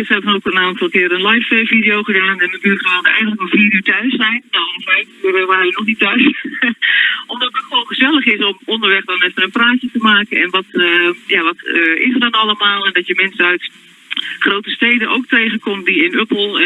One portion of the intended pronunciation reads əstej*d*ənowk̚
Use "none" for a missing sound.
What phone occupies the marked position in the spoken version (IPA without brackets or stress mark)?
d